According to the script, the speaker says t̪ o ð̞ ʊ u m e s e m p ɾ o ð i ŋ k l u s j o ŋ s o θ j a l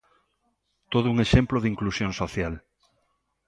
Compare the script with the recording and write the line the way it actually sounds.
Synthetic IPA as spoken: t̪ o ð̞ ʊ u ŋ e ʃ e m p l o ð i ŋ k l u s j o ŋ s o θ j a l